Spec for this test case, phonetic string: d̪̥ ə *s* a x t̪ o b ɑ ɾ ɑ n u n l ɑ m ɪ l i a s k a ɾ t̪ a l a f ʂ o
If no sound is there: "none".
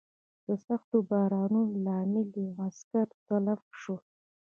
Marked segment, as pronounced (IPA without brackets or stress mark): s